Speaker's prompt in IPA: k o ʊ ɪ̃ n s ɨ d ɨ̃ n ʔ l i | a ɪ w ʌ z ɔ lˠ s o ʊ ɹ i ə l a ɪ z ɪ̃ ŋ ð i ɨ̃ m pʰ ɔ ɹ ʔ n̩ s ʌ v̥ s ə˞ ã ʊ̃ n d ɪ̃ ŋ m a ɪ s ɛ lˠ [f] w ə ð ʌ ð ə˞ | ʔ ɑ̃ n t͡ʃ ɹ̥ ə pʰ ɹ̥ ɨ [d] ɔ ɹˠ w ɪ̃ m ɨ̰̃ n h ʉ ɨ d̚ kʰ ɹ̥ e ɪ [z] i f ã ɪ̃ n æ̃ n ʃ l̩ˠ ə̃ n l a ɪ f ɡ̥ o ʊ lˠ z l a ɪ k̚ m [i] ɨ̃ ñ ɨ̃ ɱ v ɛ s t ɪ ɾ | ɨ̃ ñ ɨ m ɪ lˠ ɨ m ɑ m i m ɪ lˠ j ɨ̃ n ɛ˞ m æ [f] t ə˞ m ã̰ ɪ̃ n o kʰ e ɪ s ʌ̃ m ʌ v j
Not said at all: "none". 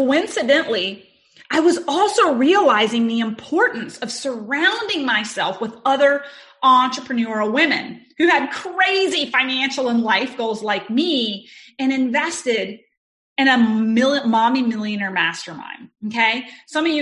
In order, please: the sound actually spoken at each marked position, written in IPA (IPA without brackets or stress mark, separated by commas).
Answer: f, n, z, i, s